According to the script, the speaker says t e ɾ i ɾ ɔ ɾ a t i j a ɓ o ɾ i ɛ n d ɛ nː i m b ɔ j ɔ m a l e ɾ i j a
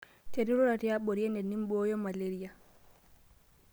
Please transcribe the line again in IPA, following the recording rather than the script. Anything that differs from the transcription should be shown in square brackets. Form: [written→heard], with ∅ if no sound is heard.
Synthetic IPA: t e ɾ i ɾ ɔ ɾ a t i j a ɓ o ɾ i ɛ n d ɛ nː i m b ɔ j ɔ m a l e ɾ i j a